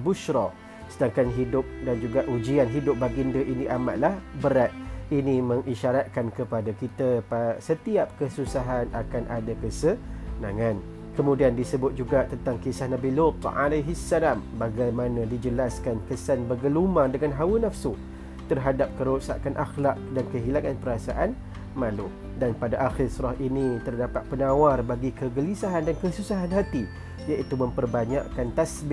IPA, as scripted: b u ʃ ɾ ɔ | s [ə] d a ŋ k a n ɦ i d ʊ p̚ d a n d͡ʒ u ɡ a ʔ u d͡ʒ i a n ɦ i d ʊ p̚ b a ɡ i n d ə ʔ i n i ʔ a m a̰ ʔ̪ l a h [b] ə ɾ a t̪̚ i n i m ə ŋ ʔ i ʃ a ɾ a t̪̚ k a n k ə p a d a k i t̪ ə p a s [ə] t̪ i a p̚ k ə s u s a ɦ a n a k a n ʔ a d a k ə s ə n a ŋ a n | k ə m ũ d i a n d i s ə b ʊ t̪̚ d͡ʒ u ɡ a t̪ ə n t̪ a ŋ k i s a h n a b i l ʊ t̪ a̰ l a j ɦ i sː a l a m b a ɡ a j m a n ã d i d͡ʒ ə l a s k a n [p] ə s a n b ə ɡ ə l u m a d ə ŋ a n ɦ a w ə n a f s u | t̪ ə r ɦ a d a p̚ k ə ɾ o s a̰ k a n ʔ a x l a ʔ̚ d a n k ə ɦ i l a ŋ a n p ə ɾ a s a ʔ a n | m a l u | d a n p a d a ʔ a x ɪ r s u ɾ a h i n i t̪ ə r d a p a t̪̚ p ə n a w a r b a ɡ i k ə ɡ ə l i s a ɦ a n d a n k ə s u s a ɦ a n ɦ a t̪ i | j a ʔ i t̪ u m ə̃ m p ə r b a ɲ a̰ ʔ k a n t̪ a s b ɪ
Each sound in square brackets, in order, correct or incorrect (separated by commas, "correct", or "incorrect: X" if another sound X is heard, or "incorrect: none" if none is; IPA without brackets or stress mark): correct, correct, correct, incorrect: k